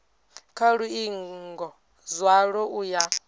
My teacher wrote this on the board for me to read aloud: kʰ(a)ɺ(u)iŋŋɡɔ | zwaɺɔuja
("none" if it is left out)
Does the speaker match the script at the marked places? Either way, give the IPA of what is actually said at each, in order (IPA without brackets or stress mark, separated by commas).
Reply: a, u